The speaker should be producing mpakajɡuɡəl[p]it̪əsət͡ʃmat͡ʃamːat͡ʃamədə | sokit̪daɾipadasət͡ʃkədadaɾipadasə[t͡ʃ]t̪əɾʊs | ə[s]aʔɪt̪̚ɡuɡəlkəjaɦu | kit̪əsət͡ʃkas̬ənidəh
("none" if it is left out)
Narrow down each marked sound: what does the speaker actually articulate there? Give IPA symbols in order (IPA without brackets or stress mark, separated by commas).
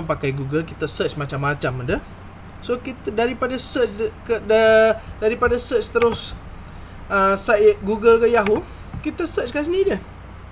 k, t͡ʃ, s